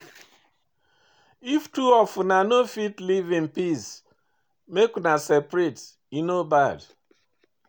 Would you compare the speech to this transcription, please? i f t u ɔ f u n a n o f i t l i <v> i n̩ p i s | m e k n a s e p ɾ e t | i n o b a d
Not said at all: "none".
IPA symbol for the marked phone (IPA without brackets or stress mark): v